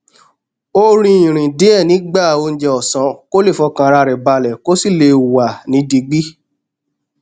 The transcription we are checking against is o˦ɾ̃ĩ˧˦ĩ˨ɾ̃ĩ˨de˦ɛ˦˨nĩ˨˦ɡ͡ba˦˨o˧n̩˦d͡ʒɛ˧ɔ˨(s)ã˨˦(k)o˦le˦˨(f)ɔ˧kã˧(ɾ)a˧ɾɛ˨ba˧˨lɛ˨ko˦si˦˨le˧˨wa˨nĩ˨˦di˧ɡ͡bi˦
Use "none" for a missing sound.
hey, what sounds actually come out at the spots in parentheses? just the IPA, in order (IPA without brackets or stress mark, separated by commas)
s, k, f, ɾ